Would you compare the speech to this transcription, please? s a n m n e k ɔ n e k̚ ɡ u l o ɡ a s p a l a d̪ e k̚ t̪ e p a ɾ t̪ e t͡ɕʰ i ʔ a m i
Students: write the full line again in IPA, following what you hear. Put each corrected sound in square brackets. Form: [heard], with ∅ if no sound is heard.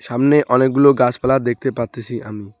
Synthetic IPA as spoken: [ʃ] a [∅] m n e [ʔ] ɔ n e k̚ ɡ u l o ɡ a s p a l a d̪ e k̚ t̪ e p a ɾ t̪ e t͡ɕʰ i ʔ a m i